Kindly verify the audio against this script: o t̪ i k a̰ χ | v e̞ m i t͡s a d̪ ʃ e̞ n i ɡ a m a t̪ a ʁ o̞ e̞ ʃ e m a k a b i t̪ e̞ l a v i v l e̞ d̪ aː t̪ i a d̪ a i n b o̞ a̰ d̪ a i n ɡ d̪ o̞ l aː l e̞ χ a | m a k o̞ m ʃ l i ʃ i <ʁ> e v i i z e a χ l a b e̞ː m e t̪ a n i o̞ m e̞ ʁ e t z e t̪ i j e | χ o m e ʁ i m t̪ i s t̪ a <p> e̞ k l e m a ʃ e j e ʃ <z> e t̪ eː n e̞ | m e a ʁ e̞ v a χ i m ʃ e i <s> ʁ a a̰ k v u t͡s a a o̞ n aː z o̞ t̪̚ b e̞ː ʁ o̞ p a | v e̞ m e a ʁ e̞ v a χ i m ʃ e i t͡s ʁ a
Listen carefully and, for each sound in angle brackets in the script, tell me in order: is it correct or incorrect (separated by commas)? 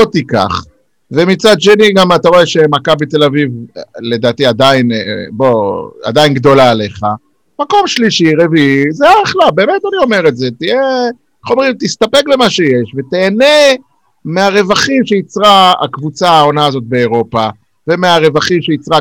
correct, correct, incorrect, incorrect